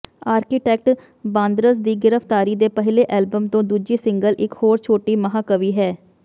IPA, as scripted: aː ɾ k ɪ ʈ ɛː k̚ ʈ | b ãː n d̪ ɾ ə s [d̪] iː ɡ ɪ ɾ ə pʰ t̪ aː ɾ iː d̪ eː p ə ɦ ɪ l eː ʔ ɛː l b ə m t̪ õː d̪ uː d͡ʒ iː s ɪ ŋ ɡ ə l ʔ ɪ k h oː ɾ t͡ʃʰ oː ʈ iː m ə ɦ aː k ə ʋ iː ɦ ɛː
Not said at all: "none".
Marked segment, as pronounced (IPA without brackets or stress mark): d̪